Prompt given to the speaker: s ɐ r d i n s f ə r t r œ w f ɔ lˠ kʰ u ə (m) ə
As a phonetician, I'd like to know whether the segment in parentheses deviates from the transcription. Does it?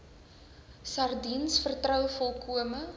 no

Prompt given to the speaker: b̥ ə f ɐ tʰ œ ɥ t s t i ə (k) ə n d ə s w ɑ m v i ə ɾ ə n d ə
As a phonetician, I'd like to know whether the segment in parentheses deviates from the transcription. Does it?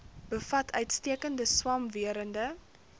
no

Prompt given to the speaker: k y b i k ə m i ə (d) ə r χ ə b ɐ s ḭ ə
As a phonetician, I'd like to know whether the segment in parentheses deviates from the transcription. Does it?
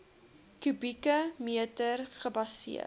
yes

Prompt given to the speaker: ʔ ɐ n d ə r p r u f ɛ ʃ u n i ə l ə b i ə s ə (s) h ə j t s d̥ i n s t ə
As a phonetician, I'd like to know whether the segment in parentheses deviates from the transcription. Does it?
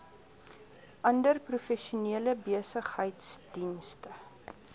yes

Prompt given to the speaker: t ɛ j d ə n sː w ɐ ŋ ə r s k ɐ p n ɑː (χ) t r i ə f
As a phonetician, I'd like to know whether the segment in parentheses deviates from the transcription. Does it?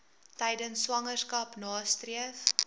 yes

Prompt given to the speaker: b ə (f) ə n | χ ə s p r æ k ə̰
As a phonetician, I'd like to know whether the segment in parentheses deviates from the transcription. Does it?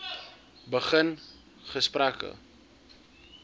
yes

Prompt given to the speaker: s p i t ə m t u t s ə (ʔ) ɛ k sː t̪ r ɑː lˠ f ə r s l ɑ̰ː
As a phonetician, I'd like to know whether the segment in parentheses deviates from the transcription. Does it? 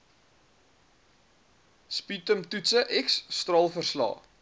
no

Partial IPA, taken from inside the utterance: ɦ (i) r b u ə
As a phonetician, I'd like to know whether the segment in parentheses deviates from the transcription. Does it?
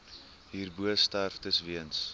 yes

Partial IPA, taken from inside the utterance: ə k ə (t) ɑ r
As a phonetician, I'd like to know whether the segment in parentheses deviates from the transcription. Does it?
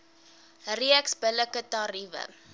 no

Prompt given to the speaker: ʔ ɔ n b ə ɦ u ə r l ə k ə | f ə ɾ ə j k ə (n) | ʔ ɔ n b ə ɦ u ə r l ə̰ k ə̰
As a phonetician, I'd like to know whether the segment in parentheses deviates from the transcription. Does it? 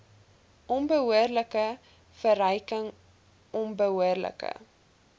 yes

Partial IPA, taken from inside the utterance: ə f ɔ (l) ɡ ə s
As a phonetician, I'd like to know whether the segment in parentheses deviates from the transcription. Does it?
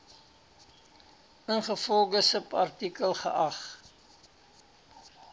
no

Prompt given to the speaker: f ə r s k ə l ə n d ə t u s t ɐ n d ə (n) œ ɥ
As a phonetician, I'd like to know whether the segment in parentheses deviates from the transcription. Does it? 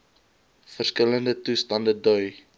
yes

